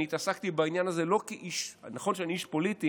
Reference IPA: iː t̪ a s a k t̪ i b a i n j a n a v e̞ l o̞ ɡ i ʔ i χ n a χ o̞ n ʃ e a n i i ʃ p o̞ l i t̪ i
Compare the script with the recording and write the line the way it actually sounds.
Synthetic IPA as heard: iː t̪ a s a k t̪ i b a i n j a n a z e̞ l o̞ k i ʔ i ʃ n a χ o̞ n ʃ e a n i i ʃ p o̞ l i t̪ i

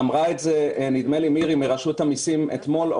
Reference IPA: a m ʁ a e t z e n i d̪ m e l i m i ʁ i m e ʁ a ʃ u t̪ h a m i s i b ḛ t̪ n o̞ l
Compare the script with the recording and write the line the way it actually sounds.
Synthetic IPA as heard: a m ʁ a e t z e n i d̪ m e l i m i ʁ i m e ʁ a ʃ u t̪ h a m i s i m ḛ t̪ m o̞ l

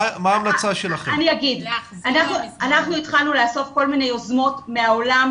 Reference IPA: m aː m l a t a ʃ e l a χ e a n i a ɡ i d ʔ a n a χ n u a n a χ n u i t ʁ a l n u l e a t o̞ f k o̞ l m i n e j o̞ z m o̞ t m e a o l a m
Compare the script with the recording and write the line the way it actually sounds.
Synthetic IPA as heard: m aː m l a t͡s a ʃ e l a χ e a n i a ɡ i d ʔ a n a χ n u a n a χ n u i t χ a l n u l e a s o̞ f k o̞ l m i n e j o̞ z m o̞ t m e a o l a m

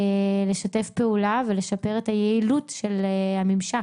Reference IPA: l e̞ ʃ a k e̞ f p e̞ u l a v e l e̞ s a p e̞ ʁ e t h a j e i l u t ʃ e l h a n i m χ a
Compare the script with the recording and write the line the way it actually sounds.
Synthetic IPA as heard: l e̞ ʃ a t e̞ f p e̞ u l a v e l e̞ ʃ a p e̞ ʁ e t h a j e i l u t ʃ e l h a m i m ʃ a

